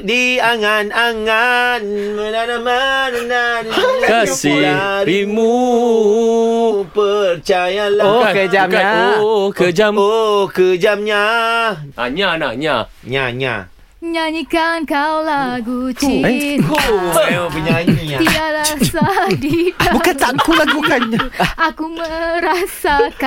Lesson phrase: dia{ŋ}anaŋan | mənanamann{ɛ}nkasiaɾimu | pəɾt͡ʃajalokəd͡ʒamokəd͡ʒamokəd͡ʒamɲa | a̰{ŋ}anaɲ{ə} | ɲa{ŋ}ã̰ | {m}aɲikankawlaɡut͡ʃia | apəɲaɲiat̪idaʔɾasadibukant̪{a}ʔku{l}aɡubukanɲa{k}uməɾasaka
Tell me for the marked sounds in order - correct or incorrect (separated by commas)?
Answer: correct, incorrect, incorrect, incorrect, incorrect, incorrect, correct, correct, correct